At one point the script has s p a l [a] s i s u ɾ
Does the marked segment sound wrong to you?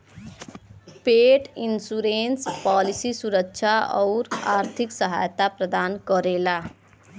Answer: yes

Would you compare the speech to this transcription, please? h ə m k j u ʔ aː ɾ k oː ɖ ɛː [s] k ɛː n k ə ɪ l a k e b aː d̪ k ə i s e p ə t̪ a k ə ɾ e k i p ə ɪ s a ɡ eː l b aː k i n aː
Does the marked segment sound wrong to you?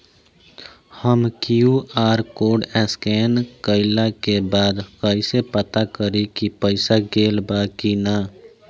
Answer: no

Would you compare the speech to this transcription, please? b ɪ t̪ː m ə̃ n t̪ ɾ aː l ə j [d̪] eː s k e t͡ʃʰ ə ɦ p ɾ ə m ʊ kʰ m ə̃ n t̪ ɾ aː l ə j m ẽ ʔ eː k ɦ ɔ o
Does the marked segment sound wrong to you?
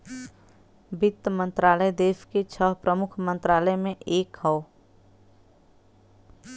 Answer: no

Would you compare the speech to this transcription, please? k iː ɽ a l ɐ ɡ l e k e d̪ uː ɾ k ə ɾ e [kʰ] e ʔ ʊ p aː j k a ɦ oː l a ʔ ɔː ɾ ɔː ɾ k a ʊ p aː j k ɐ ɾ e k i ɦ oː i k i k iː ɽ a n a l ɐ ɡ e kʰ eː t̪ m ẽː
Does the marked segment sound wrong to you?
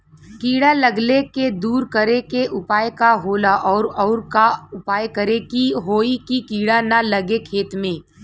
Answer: yes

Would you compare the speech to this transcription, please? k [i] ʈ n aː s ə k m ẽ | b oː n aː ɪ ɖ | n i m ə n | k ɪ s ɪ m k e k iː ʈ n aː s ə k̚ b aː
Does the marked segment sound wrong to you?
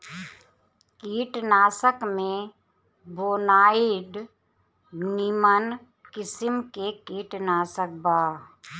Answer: yes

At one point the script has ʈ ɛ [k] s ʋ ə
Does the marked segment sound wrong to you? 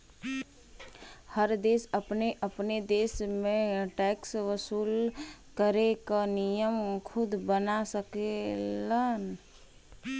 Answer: no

